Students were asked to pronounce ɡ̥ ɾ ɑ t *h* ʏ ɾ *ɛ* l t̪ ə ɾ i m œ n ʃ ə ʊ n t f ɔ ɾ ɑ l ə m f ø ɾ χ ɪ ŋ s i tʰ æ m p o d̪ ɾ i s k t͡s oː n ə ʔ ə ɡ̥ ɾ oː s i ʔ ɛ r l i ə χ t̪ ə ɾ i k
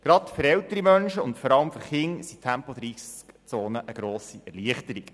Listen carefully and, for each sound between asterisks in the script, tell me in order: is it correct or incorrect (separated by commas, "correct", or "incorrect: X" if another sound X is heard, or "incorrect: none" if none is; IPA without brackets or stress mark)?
incorrect: f, correct